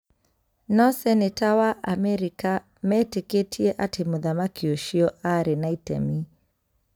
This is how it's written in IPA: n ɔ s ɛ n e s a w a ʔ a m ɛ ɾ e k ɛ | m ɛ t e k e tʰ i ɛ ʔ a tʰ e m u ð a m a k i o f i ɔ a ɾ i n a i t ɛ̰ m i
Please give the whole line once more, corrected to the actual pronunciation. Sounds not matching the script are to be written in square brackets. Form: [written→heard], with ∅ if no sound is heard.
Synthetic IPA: n ɔ s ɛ n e [s→t] a w a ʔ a m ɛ ɾ [e→i] k [ɛ→a] | m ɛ t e k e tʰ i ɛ ʔ a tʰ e m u ð a m a k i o [f→ʃ] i ɔ a ɾ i n a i t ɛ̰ m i

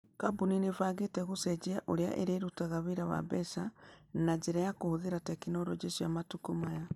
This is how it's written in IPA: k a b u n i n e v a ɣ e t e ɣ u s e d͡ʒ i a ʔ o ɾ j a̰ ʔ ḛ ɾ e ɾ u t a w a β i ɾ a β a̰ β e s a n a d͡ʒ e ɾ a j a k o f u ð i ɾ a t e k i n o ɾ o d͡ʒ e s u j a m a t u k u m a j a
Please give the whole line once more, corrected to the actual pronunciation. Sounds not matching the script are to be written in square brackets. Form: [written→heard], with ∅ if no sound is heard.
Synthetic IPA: k a b u n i n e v a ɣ e t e ɣ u s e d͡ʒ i a ʔ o ɾ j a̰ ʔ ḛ ɾ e ɾ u t a [w→ɣ] a β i ɾ a β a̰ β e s a n a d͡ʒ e ɾ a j a k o [f→h] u ð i ɾ a t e k i n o ɾ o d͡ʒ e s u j a m a t u k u m a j a

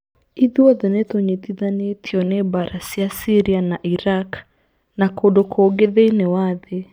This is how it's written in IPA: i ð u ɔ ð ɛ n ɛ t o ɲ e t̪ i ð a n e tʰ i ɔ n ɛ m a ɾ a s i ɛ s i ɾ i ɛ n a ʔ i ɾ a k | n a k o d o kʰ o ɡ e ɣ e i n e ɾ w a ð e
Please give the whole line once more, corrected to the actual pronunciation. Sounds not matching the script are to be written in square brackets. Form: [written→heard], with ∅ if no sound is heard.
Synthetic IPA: i ð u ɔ ð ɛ n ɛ t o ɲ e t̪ i ð a n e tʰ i ɔ n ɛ [m→b] a ɾ a s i [ɛ→a] s i ɾ i [ɛ→a] n a ʔ i ɾ a k | n a k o d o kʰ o ɡ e [ɣ→ð] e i n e [ɾ→∅] w a ð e

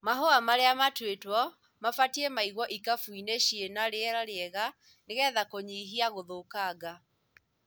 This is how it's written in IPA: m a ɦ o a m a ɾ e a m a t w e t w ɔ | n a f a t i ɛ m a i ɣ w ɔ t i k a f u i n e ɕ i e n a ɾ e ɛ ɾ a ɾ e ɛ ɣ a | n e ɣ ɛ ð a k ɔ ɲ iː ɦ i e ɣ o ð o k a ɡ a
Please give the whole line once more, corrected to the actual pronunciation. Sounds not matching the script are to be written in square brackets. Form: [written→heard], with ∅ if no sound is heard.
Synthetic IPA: m a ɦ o a m a ɾ e a m a t w e t w ɔ | [n→m] a f a t i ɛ m a i ɣ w ɔ [t→ʔ] i k a f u i n e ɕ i e n a ɾ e ɛ ɾ a ɾ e ɛ ɣ a | n e ɣ ɛ ð a k [ɔ→o] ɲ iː ɦ i [e→a] ɣ o ð o k a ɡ a

